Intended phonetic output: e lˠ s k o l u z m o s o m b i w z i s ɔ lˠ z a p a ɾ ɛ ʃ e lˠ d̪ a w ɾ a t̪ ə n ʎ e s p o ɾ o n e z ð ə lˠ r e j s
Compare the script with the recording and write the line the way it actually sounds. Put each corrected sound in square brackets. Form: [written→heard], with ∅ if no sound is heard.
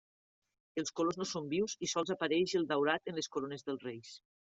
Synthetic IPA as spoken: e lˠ s k o l [u→o] z [m→n] o s o m b i w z i s ɔ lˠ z a p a ɾ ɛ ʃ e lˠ d̪ a w ɾ a t̪ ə n [ʎ→l] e s [p→k] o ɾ o n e z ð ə lˠ r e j s